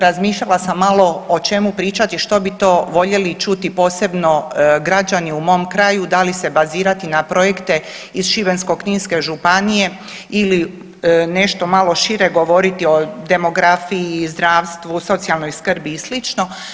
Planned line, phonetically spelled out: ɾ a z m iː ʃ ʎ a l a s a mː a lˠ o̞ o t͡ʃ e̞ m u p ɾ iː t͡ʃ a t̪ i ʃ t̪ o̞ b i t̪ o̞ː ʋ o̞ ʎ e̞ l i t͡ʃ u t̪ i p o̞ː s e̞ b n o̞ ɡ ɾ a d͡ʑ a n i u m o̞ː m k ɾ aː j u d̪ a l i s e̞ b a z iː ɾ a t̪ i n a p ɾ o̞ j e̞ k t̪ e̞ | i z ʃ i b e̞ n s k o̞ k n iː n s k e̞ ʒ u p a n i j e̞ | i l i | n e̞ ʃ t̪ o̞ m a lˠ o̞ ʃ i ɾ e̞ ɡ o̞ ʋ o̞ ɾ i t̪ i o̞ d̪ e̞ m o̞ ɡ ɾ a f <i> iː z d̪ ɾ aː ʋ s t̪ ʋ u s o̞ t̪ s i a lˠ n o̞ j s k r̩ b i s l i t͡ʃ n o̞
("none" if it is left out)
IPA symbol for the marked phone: i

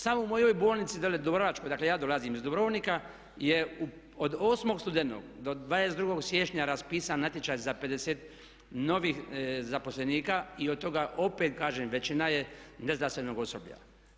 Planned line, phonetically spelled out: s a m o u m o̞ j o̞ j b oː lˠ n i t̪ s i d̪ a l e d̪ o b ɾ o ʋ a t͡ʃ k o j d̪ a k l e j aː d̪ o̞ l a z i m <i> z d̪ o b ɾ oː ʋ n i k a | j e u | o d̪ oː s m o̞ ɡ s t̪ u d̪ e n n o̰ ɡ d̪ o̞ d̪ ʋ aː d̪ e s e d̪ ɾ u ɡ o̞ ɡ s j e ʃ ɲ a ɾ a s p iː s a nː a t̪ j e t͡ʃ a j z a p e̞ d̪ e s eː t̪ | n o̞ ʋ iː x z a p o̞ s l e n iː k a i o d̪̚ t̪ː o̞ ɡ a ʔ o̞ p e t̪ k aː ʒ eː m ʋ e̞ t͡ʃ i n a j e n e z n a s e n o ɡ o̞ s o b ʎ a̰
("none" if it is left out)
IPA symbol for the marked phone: i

